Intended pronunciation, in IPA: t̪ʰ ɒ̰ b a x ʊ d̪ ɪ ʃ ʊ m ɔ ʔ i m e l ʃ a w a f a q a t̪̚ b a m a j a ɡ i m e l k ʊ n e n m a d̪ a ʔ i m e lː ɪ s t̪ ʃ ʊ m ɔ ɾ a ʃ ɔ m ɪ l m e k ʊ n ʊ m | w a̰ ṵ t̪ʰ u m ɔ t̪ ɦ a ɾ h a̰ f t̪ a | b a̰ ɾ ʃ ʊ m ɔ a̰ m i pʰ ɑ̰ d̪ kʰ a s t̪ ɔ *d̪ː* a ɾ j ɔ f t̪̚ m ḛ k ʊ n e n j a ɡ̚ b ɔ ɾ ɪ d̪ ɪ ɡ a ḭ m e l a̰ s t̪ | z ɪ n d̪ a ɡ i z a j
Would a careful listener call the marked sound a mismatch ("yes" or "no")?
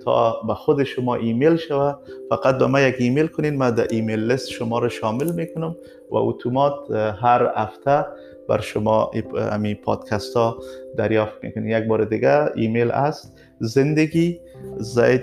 yes